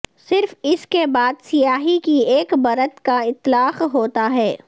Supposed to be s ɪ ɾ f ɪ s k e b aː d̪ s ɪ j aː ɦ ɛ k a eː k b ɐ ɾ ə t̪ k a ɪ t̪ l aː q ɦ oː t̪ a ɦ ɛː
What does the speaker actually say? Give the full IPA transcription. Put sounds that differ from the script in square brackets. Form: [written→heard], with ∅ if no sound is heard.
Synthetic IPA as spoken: s ɪ ɾ f ɪ s k e b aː d̪ s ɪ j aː ɦ [ɛ→i] k [a→i] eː k b ɐ ɾ ə t̪ k a ɪ t̪ l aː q ɦ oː t̪ a ɦ ɛː